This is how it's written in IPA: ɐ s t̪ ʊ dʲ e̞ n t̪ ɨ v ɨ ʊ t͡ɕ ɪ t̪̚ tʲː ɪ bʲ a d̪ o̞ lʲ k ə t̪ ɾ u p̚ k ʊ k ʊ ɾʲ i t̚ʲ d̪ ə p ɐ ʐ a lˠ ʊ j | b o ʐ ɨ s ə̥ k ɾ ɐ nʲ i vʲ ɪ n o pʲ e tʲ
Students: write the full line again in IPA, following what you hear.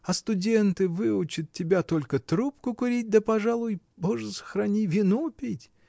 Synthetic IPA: ɐ s t̪ ʊ dʲ e̞ n t̪ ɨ v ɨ ʊ t͡ɕ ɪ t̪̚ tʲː ɪ bʲ a t̪ o̞ lʲ k ə t̪ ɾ u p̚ k ʊ k ʊ ɾʲ i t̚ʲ d̪ ə p ɐ ʐ a lˠ ʊ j | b o ʐ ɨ s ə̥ x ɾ ɐ nʲ i vʲ ɪ n u pʲ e tʲ

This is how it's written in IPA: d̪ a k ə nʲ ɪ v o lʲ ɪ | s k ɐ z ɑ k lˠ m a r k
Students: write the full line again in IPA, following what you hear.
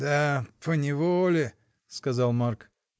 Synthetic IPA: d̪ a p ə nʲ ɪ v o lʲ ɪ | s k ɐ z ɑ lˠ m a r k

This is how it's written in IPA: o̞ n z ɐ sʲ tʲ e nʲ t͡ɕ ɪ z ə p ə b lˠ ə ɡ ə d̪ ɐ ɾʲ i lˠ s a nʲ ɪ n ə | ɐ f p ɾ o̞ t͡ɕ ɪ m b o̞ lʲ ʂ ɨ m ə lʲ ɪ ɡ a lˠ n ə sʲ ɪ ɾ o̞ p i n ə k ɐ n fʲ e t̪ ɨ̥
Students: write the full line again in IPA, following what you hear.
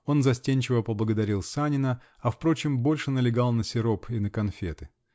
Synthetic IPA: o̞ n z ɐ sʲ tʲ e nʲ t͡ɕ ɪ v ə p ə b lˠ ə ɡ ə d̪ ɐ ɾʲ i lˠ s a nʲ ɪ n ə | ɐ f p ɾ o̞ t͡ɕ ɪ m b o̞ lʲ ʂ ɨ n ə lʲ ɪ ɡ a lˠ n ə sʲ ɪ ɾ o̞ p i n ə k ɐ n fʲ e t̪ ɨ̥

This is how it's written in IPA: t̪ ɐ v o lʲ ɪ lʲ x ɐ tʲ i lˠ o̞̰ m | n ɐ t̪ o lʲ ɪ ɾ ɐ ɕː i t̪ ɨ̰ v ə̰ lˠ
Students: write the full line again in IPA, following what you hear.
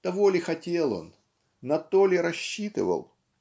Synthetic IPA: t̪ ɐ v o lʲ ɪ x ɐ tʲ e lˠ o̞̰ n | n ɐ t̪ o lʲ ɪ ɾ ɐ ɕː i t̪ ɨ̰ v ə̰ lˠ

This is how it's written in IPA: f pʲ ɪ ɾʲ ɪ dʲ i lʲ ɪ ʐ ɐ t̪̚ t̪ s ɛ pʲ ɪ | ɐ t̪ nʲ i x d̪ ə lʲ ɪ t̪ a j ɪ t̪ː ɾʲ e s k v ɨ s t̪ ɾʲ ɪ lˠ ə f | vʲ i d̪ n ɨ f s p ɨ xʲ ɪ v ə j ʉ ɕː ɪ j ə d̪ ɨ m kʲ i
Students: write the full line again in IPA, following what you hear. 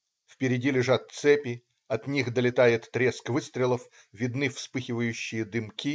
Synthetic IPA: f pʲ ɪ ɾʲ ɪ dʲ i lʲ ɪ ʐ a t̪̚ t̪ s ɛ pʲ ɪ | ɐ t̪ nʲ i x d̪ ə lʲ ɪ t̪ a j ɪ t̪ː ɾʲ e s k v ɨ s t̪ ɾʲ ɪ lˠ ə f | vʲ ɪ d̪ n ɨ f s p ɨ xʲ ɪ v ə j ʉ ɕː ɪ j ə d̪ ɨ m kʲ i

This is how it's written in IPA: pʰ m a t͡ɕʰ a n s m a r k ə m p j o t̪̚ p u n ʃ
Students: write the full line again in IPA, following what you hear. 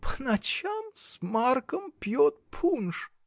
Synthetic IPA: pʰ n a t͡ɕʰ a m s m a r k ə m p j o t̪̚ pʰ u n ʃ

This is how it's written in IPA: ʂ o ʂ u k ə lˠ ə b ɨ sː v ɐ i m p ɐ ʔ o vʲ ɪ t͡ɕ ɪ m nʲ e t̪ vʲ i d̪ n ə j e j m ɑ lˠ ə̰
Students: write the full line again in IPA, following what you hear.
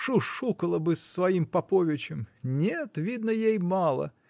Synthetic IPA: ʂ u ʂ u k ə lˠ ə b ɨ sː v ɐ i m p ɐ p o vʲ ɪ t͡ɕ ɪ m nʲ e t̪ vʲ i d̪ n ə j e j m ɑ lˠ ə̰

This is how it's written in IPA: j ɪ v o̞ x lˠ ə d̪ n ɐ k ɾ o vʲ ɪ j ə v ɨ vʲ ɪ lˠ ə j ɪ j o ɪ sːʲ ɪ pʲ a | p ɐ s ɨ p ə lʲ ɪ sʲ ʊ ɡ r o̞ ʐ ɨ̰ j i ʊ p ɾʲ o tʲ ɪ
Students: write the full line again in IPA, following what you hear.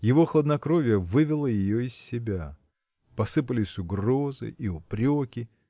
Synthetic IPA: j ɪ v o̞ x lˠ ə d̪ n ɐ k ɾ o vʲ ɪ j ə v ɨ vʲ ɪ lˠ ə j ɪ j o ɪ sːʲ ɪ bʲ a | p ɐ s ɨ p ə lʲ ɪ sʲ ʊ ɡ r o̞ z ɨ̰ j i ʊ p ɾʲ o kʲ ɪ

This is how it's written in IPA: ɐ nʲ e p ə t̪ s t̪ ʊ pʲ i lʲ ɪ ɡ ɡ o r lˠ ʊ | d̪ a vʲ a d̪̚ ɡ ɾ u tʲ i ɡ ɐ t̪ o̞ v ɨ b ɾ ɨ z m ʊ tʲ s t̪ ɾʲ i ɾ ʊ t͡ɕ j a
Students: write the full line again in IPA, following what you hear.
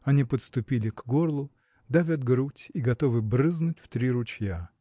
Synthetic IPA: ɐ nʲ i p ə t̪ s t̪ ʊ pʲ i lʲ ɪ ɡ ɡ o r lˠ ʊ | d̪ a vʲ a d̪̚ ɡ ɾ u tʲ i ɡ ɐ t̪ o̞ v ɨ b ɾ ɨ z n ʊ tʲ f t̪ ɾʲ i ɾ ʊ t͡ɕ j a

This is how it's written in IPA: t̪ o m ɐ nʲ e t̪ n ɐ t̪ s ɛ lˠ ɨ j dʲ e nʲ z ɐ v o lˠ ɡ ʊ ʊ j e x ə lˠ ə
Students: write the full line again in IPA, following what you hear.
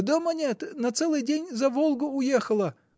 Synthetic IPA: d̪ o m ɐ nʲ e t̪ n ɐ t̪ s ɛ lˠ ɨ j dʲ e nʲ z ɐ v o lˠ ɡ ʊ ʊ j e x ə lˠ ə

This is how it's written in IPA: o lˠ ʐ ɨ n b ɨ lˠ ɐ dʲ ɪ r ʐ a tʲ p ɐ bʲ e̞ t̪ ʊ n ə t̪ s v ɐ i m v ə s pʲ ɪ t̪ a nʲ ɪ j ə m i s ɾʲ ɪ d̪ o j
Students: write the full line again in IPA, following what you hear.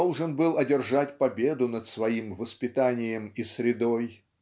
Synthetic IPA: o lˠ ʐ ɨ n b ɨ lˠ ɐ dʲ ɪ r ʐ a tʲ p ɐ bʲ e̞ d̪ ʊ n ə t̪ s v ɐ i m v ə s pʲ ɪ t̪ a nʲ ɪ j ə m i s ɾʲ ɪ d̪ o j

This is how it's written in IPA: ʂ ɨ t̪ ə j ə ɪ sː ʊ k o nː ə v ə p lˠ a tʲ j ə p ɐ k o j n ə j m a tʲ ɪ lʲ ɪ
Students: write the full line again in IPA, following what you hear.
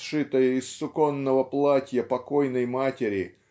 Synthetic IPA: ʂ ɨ t̪ ə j ə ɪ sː ʊ k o nː ə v ə p lˠ a tʲ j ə p ɐ k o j n ə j m a tʲ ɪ ɾʲ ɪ

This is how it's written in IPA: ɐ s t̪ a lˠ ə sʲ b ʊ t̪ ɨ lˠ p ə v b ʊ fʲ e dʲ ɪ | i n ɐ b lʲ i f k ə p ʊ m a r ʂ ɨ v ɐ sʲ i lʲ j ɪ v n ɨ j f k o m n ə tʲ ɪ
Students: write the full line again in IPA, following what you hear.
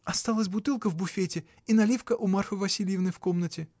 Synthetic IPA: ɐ s t̪ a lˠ ə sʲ b ʊ t̪ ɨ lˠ k ə v b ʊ fʲ e tʲ ɪ | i n ɐ lʲ i f k ə ʔ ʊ m a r f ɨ v ɐ sʲ i lʲ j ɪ v n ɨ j f k o m n ə tʲ ɪ

